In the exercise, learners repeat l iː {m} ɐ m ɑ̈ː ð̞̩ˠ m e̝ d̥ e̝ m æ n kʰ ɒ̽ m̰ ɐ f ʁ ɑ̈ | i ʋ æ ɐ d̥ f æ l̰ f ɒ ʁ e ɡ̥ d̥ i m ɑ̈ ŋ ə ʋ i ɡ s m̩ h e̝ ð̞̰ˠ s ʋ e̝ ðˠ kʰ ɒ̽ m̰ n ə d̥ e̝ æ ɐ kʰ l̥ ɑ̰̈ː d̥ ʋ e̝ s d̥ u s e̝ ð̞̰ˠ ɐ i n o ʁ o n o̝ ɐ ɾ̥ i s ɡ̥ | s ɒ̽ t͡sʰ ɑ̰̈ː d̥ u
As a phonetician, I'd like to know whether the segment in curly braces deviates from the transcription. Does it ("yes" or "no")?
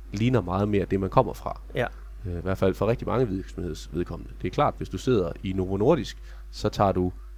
yes